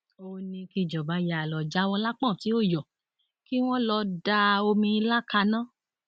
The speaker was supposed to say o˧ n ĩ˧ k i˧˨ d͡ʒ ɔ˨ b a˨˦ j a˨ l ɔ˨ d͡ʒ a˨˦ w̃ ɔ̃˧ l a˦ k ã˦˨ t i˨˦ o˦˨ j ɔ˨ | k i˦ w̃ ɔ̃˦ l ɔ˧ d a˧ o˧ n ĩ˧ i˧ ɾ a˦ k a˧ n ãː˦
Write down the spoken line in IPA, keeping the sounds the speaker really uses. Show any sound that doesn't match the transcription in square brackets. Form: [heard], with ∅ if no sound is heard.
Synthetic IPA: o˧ n ĩ˧ k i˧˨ d͡ʒ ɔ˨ b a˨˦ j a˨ l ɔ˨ d͡ʒ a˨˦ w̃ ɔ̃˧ l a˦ [k͡p] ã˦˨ t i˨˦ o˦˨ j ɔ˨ | k i˦ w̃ ɔ̃˦ l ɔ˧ d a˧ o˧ [m] ĩ˧ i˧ [l] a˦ k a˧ n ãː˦